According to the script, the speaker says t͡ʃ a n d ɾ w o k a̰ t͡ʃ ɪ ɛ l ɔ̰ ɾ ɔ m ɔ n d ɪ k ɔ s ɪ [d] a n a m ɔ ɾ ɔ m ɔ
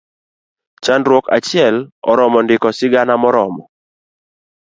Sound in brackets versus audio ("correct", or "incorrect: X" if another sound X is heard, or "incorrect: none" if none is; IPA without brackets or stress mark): incorrect: ɡ